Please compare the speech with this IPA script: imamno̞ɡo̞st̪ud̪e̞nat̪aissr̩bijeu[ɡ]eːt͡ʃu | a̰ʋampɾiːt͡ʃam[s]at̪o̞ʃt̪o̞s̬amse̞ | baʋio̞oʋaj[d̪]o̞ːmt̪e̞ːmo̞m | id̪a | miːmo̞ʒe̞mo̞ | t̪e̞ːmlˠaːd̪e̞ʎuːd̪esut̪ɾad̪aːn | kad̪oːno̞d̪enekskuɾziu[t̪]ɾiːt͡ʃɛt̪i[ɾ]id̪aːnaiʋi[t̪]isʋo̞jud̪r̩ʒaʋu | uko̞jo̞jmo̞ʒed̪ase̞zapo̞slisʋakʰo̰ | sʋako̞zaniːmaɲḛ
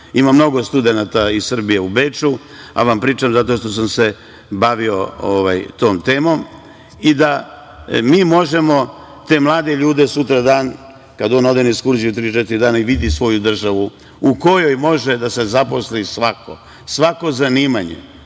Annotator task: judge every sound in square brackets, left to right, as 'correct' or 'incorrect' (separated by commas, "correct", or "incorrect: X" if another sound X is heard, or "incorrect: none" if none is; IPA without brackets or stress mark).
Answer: incorrect: b, incorrect: z, incorrect: t̪, correct, correct, incorrect: d̪